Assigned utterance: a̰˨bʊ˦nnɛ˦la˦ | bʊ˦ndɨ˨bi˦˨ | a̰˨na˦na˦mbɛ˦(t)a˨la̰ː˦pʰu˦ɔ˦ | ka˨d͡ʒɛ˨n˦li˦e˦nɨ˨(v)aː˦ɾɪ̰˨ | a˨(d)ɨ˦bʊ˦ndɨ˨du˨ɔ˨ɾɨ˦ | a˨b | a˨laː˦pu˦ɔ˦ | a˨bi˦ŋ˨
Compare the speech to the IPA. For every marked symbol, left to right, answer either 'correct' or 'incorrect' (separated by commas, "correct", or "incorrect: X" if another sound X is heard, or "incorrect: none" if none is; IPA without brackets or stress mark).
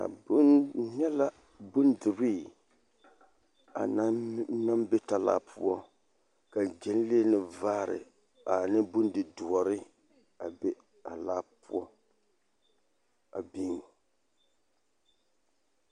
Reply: correct, correct, incorrect: n